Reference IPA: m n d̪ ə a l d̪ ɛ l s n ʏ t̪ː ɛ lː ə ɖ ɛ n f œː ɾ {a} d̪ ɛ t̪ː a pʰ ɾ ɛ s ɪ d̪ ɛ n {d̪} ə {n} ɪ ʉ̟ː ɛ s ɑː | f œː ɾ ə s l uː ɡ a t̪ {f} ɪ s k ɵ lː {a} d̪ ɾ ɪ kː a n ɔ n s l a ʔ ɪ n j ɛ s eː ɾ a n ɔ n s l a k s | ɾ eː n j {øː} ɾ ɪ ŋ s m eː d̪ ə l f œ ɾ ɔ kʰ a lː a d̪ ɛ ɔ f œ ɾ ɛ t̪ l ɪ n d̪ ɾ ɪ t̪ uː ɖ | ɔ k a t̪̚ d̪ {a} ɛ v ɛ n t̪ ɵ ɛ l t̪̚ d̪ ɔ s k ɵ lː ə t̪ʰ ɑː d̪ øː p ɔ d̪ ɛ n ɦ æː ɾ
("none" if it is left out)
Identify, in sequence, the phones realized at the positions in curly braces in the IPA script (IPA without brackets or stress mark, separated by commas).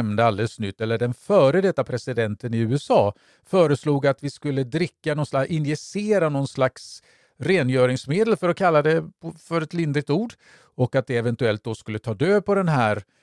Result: ə, t̪, n, v, ə, œː, ɛ